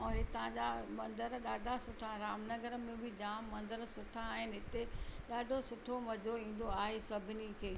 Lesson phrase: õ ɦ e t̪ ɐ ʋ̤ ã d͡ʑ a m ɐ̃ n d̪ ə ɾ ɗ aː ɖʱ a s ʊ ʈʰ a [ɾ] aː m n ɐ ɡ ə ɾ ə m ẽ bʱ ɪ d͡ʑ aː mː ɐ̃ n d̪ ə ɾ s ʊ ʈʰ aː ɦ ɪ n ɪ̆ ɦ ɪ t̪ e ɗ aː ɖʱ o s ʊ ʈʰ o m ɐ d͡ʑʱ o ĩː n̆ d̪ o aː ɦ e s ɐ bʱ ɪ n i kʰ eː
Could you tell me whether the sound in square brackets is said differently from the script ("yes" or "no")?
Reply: no